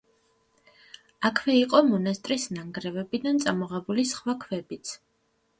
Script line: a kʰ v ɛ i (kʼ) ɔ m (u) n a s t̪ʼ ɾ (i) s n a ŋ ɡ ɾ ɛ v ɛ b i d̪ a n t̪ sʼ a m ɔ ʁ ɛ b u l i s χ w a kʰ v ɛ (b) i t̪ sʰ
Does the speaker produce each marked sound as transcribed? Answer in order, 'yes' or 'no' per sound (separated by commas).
no, no, yes, yes